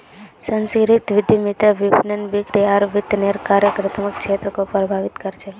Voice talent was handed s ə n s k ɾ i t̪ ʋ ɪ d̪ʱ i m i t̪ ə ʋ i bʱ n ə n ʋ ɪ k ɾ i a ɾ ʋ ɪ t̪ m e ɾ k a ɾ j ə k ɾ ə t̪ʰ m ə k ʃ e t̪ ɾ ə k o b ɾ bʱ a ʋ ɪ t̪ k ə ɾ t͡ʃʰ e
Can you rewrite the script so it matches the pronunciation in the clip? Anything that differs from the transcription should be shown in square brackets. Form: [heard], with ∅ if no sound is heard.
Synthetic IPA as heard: s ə n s k ɾ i t̪ ʋ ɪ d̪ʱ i m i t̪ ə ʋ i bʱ n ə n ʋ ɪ k ɾ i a ɾ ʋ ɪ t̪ [n] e ɾ k a ɾ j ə k ɾ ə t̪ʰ m ə k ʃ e t̪ ɾ ə k o [p] ɾ bʱ a ʋ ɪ t̪ k ə ɾ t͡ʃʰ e